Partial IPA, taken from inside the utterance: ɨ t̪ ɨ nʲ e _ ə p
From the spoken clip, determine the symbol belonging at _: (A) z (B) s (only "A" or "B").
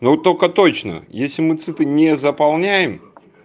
A